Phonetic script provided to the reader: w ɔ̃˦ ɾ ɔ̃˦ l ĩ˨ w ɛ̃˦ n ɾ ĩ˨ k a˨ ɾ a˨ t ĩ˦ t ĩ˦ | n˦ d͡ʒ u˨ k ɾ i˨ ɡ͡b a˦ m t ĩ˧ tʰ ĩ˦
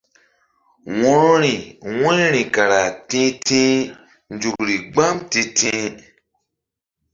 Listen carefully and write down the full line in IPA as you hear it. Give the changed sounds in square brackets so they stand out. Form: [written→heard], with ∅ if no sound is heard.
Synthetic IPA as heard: w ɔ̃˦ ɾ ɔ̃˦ [l→ɾ] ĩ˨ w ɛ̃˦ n ɾ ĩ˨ k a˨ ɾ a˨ t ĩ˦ t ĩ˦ | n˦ d͡ʒ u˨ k ɾ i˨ ɡ͡b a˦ m t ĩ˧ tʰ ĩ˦

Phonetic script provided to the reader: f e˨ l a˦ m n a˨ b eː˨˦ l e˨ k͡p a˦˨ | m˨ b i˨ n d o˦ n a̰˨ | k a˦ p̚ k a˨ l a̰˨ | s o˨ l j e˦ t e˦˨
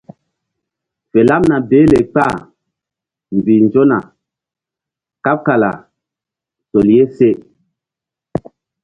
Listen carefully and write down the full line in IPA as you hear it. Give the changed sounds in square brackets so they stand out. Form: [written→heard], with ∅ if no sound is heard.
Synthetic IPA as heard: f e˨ l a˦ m n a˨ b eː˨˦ l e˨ k͡p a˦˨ | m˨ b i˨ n [d→d͡ʒ] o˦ n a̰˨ | k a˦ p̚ k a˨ l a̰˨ | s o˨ l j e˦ [t→s] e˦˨

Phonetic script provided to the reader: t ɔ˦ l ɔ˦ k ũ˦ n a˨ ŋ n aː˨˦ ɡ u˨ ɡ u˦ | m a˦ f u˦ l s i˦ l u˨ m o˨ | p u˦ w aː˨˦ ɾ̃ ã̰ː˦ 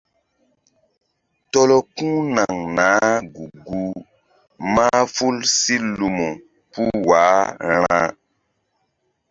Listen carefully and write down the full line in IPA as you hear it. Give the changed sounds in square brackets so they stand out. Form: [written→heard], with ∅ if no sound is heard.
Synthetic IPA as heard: t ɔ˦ l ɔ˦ k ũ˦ n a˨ ŋ n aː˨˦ ɡ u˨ ɡ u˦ | m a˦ f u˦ l s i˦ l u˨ m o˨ | p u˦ w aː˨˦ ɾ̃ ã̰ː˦

